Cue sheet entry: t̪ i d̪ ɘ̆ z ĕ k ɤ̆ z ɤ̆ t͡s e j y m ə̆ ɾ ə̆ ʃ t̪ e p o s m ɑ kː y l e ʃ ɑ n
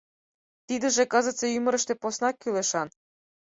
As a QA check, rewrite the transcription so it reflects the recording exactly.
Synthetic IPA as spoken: t̪ i d̪ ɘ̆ ʒ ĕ k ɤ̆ z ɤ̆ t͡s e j y m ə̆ ɾ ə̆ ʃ t̪ e p o s n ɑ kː y l e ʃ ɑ n